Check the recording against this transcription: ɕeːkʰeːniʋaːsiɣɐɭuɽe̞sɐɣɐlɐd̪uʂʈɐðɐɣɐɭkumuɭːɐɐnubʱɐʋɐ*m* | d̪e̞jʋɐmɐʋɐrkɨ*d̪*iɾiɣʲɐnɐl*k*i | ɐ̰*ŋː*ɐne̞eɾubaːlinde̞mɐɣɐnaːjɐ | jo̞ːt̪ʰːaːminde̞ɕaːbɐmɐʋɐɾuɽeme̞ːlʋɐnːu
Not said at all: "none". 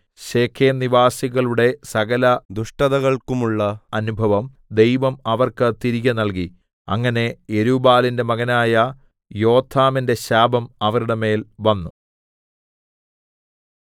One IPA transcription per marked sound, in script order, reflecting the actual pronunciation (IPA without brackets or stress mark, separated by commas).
m, t̪, k, ŋː